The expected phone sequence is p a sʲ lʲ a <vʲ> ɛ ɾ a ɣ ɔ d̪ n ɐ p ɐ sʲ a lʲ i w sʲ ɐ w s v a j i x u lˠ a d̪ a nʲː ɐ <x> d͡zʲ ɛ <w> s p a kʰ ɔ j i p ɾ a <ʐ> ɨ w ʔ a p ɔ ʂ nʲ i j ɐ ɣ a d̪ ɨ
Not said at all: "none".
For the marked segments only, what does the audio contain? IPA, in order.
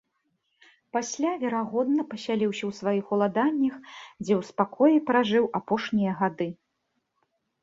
vʲ, x, w, ʐ

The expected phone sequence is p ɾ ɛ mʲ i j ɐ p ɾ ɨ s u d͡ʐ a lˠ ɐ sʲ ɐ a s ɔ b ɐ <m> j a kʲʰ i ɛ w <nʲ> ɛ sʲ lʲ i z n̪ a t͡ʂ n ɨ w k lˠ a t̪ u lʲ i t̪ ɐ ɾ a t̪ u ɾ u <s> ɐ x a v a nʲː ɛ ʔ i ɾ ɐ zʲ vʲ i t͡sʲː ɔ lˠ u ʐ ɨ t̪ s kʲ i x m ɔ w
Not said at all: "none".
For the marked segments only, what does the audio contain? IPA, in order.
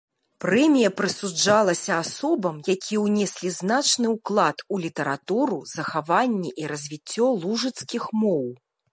m, nʲ, z

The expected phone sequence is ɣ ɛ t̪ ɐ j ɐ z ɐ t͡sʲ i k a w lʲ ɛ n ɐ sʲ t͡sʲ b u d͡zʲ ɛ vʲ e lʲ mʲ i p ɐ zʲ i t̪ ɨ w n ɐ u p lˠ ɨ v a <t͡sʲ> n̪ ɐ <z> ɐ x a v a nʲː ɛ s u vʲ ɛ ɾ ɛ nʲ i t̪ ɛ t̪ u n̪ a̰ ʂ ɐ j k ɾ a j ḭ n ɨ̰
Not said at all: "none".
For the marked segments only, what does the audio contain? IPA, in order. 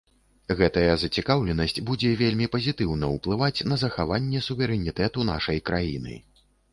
t͡sʲ, z

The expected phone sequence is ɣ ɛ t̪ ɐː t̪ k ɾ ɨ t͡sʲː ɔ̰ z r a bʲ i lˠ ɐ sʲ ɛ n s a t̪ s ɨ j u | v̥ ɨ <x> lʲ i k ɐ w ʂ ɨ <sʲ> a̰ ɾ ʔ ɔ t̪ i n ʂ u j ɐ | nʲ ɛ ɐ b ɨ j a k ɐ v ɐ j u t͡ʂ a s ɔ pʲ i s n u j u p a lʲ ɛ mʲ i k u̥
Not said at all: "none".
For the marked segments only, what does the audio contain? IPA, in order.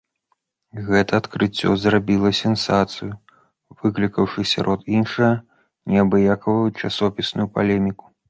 k, sʲ

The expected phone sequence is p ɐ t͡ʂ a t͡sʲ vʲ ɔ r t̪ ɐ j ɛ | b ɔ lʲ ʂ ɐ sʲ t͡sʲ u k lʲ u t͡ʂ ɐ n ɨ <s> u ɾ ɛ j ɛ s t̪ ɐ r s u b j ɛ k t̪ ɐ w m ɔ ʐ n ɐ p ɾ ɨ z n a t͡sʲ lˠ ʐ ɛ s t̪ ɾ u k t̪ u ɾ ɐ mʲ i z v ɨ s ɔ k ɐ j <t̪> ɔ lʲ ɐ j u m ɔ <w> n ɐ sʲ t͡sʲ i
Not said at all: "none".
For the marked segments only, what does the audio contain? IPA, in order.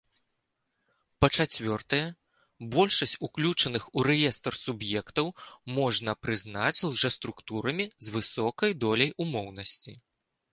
x, d̪, w

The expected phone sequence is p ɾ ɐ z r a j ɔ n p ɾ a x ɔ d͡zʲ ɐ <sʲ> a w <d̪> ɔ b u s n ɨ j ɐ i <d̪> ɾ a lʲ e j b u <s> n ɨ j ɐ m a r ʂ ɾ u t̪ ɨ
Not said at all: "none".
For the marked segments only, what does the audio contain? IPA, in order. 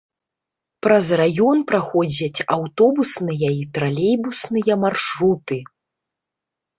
t͡sʲ, t̪, t̪, s

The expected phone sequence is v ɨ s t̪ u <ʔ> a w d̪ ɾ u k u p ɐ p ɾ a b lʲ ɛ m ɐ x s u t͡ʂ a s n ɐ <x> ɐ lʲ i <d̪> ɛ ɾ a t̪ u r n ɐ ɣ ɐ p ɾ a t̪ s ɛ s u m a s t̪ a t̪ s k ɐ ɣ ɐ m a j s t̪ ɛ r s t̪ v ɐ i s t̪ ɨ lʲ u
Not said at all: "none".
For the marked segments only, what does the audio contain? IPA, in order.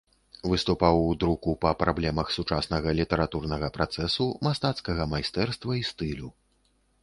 p, ɣ, t̪

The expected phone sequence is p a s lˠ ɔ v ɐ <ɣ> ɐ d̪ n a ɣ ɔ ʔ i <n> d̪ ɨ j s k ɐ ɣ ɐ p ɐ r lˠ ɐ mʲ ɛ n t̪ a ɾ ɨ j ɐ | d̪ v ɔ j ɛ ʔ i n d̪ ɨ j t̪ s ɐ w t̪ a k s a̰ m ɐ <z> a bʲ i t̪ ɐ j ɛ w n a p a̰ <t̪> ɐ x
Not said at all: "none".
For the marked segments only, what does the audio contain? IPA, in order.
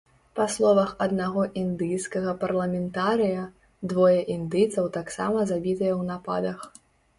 x, n, z, d̪

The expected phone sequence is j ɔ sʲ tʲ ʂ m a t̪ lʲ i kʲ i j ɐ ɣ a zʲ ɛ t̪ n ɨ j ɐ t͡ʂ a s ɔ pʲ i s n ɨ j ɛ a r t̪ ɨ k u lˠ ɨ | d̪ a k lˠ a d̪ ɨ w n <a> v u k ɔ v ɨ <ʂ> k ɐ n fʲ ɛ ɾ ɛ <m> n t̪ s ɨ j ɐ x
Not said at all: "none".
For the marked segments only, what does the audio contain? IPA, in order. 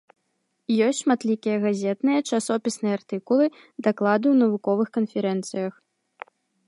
ɐ, x, none

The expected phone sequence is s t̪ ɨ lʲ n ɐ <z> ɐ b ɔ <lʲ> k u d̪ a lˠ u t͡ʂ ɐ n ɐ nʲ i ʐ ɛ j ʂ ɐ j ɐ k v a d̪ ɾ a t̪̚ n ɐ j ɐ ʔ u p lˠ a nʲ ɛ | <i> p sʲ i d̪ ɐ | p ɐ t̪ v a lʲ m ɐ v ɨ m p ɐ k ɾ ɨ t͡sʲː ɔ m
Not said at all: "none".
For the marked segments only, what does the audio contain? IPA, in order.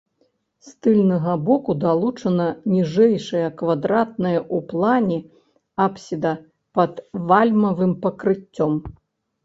ɣ, none, a

